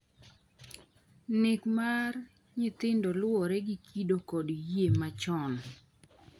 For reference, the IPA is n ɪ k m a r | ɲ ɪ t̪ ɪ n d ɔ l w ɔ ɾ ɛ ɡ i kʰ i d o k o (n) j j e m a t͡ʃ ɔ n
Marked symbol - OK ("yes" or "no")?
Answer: no